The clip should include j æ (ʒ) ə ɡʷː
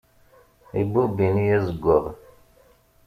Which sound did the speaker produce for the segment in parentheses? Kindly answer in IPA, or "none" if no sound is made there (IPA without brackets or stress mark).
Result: z